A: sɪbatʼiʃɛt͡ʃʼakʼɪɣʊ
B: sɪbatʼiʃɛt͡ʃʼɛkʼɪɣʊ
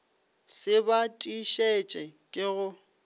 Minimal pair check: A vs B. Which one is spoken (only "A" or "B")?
B